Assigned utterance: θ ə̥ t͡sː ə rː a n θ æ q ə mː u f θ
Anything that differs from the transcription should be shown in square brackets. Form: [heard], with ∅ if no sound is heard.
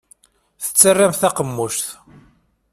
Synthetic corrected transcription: θ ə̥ t͡sː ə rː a [m] θ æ q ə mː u [ʃ] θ